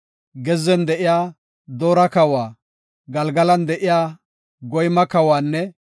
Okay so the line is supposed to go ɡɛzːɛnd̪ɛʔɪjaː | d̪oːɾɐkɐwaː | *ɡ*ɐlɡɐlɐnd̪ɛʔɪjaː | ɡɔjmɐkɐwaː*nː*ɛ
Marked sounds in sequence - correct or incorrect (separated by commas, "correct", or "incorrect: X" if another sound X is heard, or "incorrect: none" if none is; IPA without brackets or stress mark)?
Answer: correct, correct